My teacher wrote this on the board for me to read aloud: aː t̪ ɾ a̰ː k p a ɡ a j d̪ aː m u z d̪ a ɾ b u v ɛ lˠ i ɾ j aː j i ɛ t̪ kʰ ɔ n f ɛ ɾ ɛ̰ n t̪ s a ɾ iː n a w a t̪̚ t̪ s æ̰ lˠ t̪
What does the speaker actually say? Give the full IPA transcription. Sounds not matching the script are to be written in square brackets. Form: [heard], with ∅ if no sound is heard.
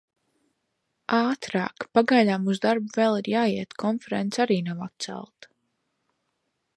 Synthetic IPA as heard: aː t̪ ɾ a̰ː k p a ɡ a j d̪ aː m u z d̪ a ɾ b u v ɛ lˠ i ɾ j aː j i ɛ t̪ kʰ ɔ n f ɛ ɾ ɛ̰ n t̪ s a ɾ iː n a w a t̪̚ t̪ s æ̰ lˠ t̪

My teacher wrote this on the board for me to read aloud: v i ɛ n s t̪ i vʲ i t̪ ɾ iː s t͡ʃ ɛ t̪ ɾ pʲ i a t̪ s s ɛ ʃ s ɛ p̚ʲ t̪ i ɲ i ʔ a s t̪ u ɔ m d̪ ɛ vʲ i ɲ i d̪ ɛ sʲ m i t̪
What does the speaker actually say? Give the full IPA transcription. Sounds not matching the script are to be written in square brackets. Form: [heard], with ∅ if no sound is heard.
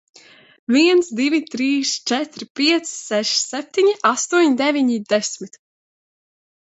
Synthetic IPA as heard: v i ɛ n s [d̪] i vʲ i t̪ ɾ iː s t͡ʃ ɛ t̪ ɾ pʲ i [ɛ] t̪ s s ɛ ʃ s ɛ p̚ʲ t̪ i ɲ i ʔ a s t̪ u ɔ [ɲ] d̪ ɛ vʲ i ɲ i d̪ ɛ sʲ m i t̪

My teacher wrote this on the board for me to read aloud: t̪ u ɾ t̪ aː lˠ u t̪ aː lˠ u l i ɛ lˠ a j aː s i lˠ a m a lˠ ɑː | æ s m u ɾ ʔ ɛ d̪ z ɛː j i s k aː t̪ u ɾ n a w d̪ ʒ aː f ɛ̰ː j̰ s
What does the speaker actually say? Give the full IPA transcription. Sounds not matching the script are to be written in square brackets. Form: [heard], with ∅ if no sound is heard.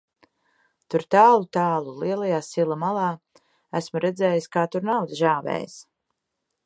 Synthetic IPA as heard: t̪ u ɾ t̪ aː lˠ u t̪ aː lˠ u l i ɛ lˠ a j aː s i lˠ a m a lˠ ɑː | æ s m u ɾ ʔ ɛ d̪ z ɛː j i s k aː t̪ u ɾ n a w d̪ ʒ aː [v] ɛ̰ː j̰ s

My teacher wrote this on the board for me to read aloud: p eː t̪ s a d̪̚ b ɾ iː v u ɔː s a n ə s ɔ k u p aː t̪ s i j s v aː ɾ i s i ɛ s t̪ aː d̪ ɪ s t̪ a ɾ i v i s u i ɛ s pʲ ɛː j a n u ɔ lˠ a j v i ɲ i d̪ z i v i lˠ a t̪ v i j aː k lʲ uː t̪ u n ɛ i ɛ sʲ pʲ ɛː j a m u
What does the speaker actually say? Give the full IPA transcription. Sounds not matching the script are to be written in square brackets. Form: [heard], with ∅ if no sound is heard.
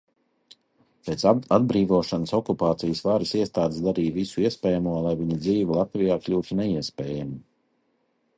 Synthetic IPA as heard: p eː t̪ s a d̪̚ b ɾ iː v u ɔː [ʃ] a n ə s ɔ k u p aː t̪ s i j s v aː ɾ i s i ɛ s t̪ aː d̪ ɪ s [d̪] a ɾ [iː] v i s u i ɛ s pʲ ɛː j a [m] u ɔ lˠ a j v i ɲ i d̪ z [iː] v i lˠ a t̪ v i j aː k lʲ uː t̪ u n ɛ i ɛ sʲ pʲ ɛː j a m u

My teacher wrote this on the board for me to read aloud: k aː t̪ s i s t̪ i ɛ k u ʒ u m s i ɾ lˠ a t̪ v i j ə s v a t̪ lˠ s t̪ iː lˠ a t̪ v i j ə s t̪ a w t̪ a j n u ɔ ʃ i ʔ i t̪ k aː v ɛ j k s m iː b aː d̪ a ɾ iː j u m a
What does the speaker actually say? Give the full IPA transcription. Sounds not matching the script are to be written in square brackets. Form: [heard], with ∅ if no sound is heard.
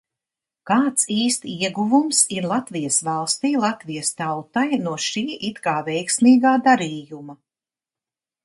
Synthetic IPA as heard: k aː t̪ s [iː] s t̪ i ɛ [ɡ] u [v] u m s i ɾ lˠ a t̪ v i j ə s v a [∅] lˠ s t̪ iː lˠ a t̪ v i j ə s t̪ a w t̪ a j n u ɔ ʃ [iː] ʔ i t̪ k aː v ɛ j k s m iː [ɡ] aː d̪ a ɾ iː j u m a

